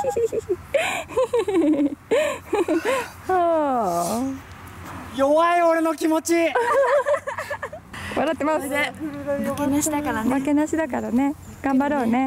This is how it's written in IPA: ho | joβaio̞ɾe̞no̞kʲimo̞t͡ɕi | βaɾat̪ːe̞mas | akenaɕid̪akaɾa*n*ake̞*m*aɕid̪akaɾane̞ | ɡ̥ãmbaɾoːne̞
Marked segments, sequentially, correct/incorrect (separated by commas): incorrect, incorrect